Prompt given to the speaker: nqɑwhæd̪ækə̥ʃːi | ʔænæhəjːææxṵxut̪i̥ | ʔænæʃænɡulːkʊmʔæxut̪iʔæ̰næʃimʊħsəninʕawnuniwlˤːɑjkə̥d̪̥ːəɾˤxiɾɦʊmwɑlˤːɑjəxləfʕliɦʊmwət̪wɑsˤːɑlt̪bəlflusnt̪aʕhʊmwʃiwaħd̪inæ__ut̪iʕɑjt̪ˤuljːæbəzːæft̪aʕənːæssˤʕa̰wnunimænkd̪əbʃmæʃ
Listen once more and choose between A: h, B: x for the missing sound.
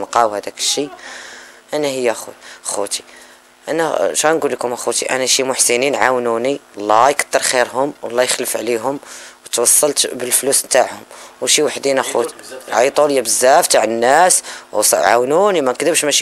B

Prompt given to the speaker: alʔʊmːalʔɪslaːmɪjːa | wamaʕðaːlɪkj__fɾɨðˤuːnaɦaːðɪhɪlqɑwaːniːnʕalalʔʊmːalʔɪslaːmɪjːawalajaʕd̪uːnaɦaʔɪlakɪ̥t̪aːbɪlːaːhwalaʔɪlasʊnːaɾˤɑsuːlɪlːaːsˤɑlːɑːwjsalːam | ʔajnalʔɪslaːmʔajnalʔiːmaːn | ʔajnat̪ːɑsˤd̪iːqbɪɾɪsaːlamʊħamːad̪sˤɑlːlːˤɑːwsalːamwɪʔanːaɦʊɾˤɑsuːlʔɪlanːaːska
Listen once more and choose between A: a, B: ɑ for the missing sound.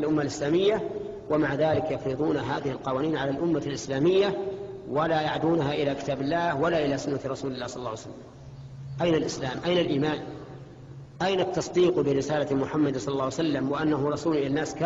B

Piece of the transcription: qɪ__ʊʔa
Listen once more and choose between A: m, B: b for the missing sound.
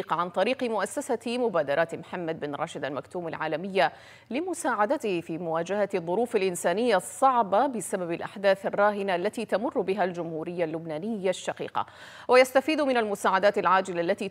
A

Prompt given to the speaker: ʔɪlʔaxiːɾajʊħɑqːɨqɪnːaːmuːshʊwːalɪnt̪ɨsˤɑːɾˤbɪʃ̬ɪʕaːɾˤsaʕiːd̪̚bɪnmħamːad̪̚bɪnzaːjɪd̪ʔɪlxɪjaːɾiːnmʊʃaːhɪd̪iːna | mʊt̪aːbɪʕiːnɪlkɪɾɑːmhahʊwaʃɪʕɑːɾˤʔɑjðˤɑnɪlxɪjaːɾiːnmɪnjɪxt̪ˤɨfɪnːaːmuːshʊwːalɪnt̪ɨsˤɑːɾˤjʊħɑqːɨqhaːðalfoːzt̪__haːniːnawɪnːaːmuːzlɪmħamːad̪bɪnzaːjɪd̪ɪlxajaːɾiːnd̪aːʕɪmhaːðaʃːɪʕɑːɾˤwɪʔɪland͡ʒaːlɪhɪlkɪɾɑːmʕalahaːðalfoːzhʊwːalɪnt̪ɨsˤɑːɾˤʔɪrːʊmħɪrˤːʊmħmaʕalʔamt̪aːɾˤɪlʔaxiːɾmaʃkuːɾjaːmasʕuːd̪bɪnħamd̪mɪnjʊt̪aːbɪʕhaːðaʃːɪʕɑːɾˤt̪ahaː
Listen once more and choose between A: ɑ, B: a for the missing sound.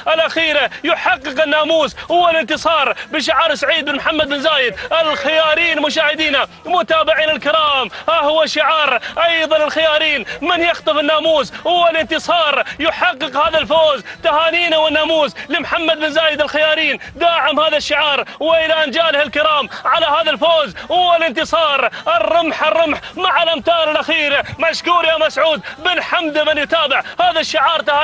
B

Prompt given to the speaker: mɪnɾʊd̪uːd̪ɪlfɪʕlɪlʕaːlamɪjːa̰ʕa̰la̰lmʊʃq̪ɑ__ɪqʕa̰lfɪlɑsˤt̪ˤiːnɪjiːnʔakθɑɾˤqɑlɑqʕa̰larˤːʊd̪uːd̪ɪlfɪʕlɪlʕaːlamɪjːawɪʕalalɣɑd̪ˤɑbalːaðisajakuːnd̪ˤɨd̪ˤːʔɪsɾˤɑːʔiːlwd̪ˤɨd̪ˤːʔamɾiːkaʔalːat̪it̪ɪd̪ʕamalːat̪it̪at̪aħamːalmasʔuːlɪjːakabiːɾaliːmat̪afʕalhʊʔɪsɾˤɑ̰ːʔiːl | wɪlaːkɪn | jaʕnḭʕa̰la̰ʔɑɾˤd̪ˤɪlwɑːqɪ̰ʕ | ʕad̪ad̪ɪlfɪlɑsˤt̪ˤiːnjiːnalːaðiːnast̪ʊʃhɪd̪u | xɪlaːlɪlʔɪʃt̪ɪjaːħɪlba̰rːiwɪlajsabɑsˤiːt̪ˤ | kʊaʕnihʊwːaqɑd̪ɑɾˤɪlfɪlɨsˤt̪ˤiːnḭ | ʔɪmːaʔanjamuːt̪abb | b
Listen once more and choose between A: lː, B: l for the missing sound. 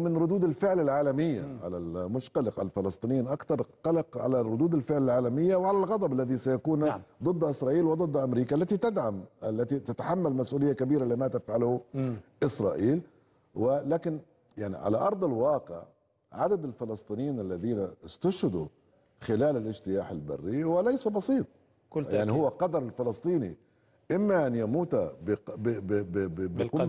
B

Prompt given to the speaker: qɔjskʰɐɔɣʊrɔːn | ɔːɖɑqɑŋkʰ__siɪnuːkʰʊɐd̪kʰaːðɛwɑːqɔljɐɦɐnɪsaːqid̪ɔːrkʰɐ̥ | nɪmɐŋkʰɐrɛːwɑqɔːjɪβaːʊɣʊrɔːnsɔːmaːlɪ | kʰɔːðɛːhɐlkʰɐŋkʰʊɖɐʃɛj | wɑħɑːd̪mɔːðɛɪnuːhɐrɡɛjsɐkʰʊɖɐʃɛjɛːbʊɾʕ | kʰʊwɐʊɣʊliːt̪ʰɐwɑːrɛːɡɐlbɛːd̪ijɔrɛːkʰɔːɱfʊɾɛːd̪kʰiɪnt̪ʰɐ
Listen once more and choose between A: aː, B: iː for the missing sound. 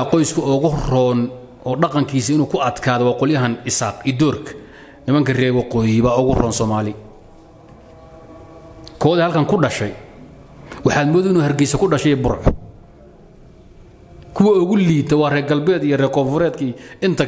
B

